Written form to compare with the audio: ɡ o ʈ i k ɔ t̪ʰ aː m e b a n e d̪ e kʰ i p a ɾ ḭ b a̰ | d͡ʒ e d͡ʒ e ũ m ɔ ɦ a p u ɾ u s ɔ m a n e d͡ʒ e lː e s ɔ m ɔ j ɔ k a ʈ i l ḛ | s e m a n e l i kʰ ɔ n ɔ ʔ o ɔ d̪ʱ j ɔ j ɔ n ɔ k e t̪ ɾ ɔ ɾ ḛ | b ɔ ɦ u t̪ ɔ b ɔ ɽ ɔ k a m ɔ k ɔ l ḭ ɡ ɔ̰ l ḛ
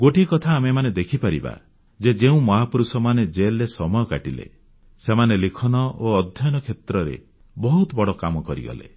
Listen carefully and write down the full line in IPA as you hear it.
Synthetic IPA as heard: ɡ o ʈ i k ɔ t̪ʰ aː m e m a n e d̪ e kʰ i p a ɾ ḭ b a̰ | d͡ʒ e d͡ʒ e ũ m ɔ ɦ a p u ɾ u s ɔ m a n e d͡ʒ e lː e s ɔ m ɔ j ɔ k a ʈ i l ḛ | s e m a n e l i kʰ ɔ n ɔ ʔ o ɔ d̪ʱ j ɔ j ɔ n ɔ kʰ e t̪ ɾ ɔ ɾ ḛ | b ɔ ɦ u t̪ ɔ b ɔ ɽ ɔ k a m ɔ k ɔ ɾ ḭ ɡ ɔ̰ l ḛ

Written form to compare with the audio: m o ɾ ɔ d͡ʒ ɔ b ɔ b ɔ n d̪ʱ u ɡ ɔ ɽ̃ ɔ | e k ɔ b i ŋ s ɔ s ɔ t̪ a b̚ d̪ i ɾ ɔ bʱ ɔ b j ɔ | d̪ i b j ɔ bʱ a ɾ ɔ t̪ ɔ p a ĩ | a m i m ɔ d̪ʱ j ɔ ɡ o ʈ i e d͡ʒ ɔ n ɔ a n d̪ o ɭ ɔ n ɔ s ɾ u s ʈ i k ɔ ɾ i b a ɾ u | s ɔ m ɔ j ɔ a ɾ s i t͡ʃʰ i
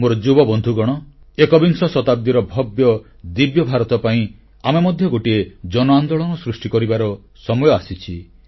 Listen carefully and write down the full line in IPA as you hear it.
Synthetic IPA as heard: m o ɾ ɔ d͡ʒ u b ɔ b ɔ n d̪ʱ u ɡ ɔ ɽ̃ ɔ | e k ɔ b i ŋ s ɔ s ɔ t̪ a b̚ d̪ i ɾ ɔ bʱ ɔ b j ɔ | d̪ i b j ɔ bʱ a ɾ ɔ t̪ ɔ p a ĩ | a m e m ɔ d̪ʱ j ɔ ɡ o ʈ i e d͡ʒ ɔ n ɔ a n d̪ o ɭ ɔ n ɔ s ɾ u s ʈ i k ɔ ɾ i b a ɾ ɔ | s ɔ m ɔ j ɔ a s i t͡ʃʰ i

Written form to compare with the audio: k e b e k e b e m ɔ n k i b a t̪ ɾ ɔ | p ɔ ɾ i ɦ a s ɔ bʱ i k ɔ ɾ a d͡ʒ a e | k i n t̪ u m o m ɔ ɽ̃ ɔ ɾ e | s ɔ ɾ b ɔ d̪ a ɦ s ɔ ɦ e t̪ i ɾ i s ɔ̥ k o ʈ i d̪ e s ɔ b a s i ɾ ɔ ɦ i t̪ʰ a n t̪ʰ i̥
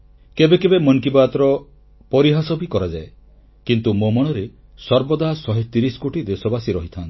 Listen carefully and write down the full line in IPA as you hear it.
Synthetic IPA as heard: k e b e k e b e m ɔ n k i b a t̪ ɾ ɔ | p ɔ ɾ i ɦ a s ɔ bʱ i k ɔ ɾ a d͡ʒ a e | k i n t̪ u m o m ɔ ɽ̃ ɔ ɾ e | s ɔ ɾ b ɔ d̪ a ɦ s ɔ ɦ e t̪ i ɾ i s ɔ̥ k o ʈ i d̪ e s ɔ b a s i ɾ ɔ ɦ i t̪ʰ a n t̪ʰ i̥

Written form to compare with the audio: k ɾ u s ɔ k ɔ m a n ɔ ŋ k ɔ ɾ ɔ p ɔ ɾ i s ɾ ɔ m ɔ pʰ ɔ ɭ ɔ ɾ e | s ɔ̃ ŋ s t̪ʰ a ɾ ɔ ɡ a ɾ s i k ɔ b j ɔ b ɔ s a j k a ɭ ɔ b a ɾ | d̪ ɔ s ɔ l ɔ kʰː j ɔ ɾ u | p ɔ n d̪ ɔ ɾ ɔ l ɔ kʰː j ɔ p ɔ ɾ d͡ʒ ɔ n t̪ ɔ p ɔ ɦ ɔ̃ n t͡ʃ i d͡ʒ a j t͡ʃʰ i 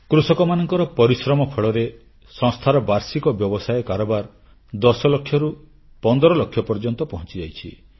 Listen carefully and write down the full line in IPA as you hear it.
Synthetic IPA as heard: k ɾ u s ɔ k ɔ m a n ɔ ŋ k ɔ ɾ ɔ p ɔ ɾ i s ɾ ɔ m ɔ pʰ ɔ ɭ ɔ ɾ e | s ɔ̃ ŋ s t̪ʰ a ɾ ɔ b a ɾ s i k ɔ b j ɔ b ɔ s a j k a ɾ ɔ b a ɾ | d̪ ɔ s ɔ l ɔ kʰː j ɔ ɾ u | p ɔ n d̪ ɔ ɾ ɔ l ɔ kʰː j ɔ p ɔ ɾ d͡ʒ ɔ n t̪ ɔ p ɔ ɦ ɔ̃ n t͡ʃ i d͡ʒ a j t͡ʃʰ i

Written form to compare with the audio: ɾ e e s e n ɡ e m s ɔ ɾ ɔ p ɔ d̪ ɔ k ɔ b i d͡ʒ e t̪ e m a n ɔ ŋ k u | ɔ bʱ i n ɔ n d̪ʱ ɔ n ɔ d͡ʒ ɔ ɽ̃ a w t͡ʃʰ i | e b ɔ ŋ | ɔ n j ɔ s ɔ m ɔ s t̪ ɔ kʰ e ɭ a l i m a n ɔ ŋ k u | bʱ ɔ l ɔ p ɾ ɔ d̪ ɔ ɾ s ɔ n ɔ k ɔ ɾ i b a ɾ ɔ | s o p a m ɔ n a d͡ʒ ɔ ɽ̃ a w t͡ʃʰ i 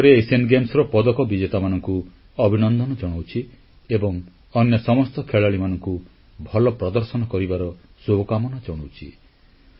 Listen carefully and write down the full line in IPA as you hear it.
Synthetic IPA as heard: ɾ e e s e n ɡ e m s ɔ ɾ ɔ p ɔ d̪ ɔ k ɔ b i d͡ʒ e t̪ a m a n ɔ ŋ k u | ɔ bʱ i n ɔ n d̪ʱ ɔ n ɔ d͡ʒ ɔ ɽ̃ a w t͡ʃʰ i | e b ɔ ŋ | ɔ n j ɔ s ɔ m ɔ s t̪ ɔ kʰ e ɭ a ɭ i m a n ɔ ŋ k u | bʱ ɔ l ɔ p ɾ ɔ d̪ ɔ ɾ s ɔ n ɔ k ɔ ɾ i b a ɾ ɔ | s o k a m ɔ n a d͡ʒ ɔ ɽ̃ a w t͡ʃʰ i

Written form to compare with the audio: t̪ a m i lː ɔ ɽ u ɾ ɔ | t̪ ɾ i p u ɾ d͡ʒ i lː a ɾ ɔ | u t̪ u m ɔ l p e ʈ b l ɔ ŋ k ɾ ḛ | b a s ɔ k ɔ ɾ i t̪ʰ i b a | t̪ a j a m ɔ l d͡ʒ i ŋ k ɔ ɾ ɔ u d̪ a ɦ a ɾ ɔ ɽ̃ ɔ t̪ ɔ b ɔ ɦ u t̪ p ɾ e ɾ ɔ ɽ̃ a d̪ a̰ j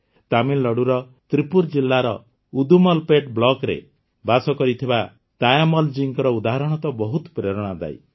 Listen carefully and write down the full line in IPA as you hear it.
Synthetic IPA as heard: t̪ a m i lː ɔ ɽ u ɾ ɔ | t̪ ɾ i p u ɾ d͡ʒ i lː a ɾ ɔ | u d̪ u m ɔ l p e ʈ b l ɔ k ɾ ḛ | b a s ɔ k ɔ ɾ i t̪ʰ i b a | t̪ a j a m ɔ l d͡ʒ i ŋ k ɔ ɾ ɔ u d̪ a ɦ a ɾ ɔ ɽ̃ ɔ t̪ ɔ b ɔ ɦ u t̪ p ɾ e ɾ ɔ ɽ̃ a d̪ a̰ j

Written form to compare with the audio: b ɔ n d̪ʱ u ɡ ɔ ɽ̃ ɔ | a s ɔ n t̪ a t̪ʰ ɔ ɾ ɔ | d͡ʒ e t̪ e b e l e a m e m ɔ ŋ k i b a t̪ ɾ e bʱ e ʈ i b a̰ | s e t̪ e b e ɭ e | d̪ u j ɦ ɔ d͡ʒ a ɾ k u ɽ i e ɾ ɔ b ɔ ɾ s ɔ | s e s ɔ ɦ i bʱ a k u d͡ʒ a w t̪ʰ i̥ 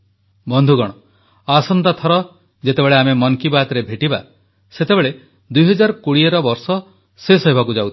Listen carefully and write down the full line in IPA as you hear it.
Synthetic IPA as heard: b ɔ n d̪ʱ u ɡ ɔ ɽ̃ ɔ | a s ɔ n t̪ a t̪ʰ ɔ ɾ ɔ | d͡ʒ e t̪ e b e ɭ e a m e m ɔ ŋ k i b a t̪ ɾ e bʱ e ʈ i b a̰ | s e t̪ e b e ɭ e | d̪ u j ɦ ɔ d͡ʒ a ɾ k u ɽ i e ɾ ɔ b ɔ ɾ s ɔ | s e s ɔ ɦ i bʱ a k u d͡ʒ a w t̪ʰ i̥

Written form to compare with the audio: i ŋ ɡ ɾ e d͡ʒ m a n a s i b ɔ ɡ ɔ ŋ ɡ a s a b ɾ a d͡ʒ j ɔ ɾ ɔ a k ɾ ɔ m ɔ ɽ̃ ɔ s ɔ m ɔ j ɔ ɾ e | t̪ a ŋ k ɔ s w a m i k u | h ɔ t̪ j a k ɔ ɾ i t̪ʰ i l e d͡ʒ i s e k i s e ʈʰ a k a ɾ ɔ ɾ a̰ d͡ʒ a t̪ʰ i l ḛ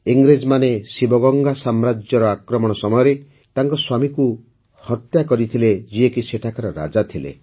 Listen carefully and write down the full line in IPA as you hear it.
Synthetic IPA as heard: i ŋ ɡ ɾ e d͡ʒ m a n e s i b ɔ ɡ ɔ ŋ ɡ a s a m ɾ a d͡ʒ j ɔ ɾ ɔ a k ɾ ɔ m ɔ ɽ̃ ɔ s ɔ m ɔ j ɔ ɾ e | t̪ a ŋ k ɔ s w a m i k u | h ɔ t̪ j a k ɔ ɾ i t̪ʰ i l e d͡ʒ i e k i s e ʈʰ a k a ɾ ɔ ɾ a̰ d͡ʒ a t̪ʰ i l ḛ

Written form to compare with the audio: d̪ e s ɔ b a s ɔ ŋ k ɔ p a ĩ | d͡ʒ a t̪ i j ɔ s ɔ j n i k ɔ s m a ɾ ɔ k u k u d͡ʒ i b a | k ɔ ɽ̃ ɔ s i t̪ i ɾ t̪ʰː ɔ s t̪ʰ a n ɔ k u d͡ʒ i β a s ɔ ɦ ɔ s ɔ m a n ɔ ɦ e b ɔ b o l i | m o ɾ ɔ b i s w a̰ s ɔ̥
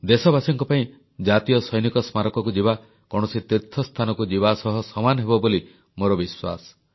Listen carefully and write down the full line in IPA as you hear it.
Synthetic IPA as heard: d̪ e s ɔ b a s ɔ ŋ k ɔ p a ĩ | d͡ʒ a t̪ i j ɔ s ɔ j n i k ɔ s m a ɾ ɔ k ɔ k u d͡ʒ i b a | k ɔ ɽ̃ ɔ s i t̪ i ɾ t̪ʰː ɔ s t̪ʰ a n ɔ k u d͡ʒ i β a s ɔ ɦ ɔ s ɔ m a n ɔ ɦ e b ɔ b o l i | m o ɾ ɔ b i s w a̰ s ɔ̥

